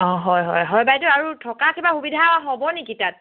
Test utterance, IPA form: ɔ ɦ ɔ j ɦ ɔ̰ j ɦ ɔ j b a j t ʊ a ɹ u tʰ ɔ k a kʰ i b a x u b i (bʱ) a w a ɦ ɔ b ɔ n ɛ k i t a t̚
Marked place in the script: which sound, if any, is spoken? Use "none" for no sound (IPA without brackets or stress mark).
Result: dʱ